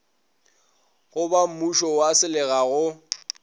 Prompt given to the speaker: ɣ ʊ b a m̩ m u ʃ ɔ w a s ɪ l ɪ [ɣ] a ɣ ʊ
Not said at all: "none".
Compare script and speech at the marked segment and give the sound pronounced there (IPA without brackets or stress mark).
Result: ɣ